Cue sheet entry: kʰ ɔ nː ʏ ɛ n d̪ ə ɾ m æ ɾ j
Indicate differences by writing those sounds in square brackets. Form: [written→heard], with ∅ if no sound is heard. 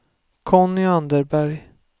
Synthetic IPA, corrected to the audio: kʰ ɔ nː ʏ [ɛ→a] n d̪ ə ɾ [m→b] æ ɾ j